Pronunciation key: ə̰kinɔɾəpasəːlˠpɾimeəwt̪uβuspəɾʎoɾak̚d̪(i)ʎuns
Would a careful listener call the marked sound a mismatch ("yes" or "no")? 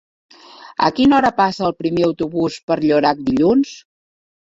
no